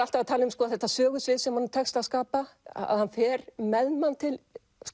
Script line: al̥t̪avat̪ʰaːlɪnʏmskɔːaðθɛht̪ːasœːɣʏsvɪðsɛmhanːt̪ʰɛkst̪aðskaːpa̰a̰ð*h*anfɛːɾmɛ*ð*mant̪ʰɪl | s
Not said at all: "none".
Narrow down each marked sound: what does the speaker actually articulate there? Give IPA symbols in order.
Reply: h, ð

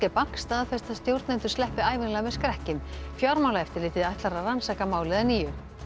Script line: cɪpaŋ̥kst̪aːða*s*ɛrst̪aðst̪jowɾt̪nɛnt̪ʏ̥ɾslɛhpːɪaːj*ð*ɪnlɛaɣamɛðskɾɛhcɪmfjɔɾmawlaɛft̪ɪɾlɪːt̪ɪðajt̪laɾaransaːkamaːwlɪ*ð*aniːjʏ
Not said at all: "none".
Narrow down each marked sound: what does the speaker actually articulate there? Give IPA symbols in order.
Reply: f, v, ð

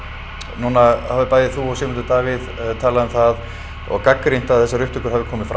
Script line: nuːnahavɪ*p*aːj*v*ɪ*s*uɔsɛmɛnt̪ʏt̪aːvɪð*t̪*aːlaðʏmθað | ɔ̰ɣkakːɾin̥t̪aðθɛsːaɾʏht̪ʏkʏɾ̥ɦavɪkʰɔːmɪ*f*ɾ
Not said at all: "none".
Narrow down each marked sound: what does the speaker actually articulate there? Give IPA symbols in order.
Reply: p, ð, θ, t̪ʰ, f

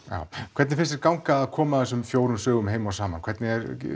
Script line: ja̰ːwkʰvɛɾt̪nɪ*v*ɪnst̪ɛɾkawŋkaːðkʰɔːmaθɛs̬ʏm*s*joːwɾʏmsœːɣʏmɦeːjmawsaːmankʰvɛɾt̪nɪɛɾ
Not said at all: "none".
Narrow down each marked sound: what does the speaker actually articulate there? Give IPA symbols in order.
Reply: f, f

